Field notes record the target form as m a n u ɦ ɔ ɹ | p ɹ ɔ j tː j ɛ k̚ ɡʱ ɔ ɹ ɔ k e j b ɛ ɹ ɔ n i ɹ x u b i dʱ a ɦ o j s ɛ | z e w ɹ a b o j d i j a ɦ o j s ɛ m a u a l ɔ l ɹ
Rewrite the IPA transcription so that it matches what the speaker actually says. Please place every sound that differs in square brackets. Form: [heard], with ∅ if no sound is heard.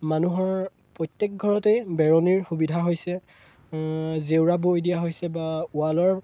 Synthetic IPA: m a n u ɦ ɔ ɹ | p ɹ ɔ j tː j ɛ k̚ ɡʱ ɔ ɹ ɔ [t] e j b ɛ ɹ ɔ n i ɹ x u b i dʱ a ɦ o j s ɛ | z e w ɹ a b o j d i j a ɦ o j s ɛ [b] a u a l ɔ [∅] ɹ